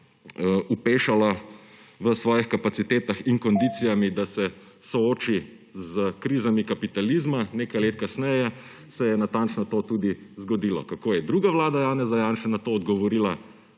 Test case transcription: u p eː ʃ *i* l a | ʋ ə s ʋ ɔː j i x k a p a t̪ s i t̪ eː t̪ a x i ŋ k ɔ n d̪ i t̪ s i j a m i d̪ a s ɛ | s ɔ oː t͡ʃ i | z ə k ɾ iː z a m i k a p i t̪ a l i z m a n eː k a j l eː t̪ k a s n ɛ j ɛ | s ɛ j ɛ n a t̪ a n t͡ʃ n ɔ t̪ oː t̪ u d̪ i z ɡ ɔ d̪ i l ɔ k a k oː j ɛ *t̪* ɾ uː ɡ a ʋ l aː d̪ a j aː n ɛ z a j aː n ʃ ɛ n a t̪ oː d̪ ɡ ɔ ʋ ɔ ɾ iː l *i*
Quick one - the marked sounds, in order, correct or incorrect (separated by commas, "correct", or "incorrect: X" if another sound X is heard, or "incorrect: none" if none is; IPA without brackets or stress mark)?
incorrect: a, incorrect: d̪, incorrect: a